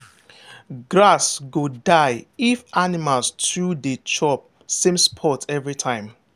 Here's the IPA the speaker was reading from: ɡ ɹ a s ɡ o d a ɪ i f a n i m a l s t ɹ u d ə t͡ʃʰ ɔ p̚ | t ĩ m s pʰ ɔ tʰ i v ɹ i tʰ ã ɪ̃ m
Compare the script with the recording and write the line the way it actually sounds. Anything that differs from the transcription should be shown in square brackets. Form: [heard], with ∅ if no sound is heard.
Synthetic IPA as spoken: ɡ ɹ a s ɡ o d a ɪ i f a n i m a l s t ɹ u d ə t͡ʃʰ ɔ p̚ | [s] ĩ m s pʰ ɔ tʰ [ɛ] v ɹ i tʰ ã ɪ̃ m

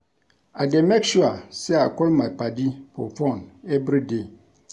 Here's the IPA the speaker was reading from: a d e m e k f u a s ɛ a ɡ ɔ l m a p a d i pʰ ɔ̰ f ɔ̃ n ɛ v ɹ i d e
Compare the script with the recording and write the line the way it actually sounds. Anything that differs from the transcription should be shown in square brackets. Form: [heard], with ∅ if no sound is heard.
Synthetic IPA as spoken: a d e m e k [ʃ] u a s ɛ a [k] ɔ l m a p a d i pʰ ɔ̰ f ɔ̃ n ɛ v [ɾ] i d e

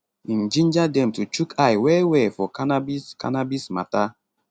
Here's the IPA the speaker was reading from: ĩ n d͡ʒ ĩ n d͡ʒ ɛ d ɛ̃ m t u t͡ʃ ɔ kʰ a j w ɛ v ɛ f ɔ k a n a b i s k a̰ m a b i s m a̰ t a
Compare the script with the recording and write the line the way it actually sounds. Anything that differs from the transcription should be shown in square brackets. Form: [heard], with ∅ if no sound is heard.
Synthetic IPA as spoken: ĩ n d͡ʒ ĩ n d͡ʒ [a] d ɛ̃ m t u t͡ʃ [u] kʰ a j w ɛ [w] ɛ f ɔ k a n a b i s k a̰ [n] a b i s m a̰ t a

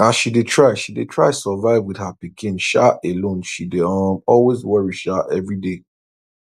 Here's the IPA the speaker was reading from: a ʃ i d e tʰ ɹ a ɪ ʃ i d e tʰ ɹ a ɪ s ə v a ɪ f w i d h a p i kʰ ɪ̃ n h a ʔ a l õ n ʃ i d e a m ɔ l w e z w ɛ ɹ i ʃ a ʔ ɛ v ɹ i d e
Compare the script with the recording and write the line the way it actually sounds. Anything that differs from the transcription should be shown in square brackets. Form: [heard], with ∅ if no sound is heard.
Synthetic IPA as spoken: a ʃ i d e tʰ ɹ a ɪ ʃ i d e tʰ ɹ a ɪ s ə v a ɪ [v] w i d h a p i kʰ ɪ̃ n [ʃ] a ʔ [e] l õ n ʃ i d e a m ɔ l w e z w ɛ ɹ i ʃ a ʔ ɛ v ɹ i d e

